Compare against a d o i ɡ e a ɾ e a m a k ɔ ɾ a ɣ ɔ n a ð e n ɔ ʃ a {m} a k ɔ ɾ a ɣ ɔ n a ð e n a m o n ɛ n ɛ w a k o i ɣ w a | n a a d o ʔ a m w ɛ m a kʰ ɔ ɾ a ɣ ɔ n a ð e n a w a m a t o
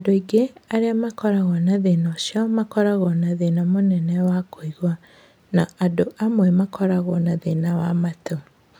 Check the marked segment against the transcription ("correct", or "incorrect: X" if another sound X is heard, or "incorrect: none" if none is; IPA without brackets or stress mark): correct